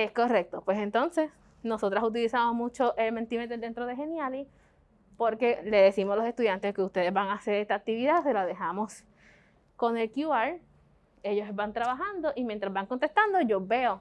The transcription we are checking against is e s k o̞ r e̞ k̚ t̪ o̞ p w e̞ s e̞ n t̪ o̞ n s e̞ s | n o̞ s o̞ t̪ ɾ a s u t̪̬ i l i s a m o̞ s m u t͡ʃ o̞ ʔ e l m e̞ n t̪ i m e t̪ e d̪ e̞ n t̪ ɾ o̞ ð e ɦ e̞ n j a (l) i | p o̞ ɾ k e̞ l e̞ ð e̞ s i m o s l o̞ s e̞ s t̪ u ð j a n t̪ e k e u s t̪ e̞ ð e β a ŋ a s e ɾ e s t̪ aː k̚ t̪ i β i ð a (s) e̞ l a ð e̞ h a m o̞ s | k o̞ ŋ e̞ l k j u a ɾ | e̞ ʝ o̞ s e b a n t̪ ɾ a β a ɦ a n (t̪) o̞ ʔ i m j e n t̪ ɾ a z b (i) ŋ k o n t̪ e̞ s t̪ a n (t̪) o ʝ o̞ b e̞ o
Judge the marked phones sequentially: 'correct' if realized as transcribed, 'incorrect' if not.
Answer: correct, correct, incorrect: d̪, incorrect: a, incorrect: d̪

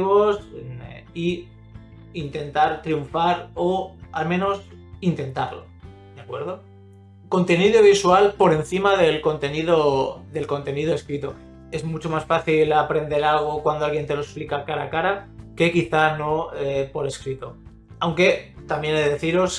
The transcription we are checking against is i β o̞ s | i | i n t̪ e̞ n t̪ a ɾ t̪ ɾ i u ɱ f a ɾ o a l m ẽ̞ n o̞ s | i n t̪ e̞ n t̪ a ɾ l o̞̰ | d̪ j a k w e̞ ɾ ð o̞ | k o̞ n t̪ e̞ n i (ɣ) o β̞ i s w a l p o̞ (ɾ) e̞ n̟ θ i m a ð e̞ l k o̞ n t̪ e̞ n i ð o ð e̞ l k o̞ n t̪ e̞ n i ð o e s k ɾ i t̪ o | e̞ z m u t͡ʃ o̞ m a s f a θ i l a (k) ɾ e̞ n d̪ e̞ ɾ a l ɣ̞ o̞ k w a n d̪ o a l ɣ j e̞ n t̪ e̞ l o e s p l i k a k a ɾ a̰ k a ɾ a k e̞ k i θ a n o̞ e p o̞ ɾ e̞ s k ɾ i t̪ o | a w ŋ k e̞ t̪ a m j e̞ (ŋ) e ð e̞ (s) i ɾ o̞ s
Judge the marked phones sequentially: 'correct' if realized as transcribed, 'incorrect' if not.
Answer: incorrect: ð, correct, incorrect: p, incorrect: n, incorrect: θ

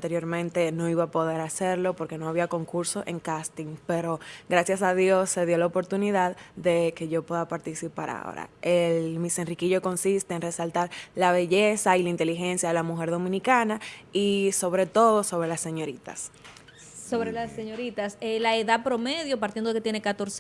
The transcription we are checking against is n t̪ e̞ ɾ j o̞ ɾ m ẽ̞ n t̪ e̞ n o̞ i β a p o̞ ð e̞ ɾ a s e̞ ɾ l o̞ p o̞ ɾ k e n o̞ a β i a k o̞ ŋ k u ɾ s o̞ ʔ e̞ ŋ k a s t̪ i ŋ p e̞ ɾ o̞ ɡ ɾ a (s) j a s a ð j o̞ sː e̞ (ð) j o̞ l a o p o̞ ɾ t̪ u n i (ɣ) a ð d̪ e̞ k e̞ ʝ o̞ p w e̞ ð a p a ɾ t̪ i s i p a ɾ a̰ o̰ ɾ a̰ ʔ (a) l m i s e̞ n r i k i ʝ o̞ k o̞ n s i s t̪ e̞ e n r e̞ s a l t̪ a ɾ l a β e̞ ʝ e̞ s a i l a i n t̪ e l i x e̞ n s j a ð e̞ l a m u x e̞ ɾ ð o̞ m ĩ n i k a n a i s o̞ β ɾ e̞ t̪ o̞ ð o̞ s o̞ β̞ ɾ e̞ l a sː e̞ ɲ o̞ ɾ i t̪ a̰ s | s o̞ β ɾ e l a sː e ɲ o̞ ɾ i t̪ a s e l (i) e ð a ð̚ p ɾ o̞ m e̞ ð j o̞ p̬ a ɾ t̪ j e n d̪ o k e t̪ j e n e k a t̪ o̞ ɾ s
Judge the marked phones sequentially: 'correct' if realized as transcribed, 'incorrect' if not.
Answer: correct, correct, incorrect: ð, incorrect: e, incorrect: a

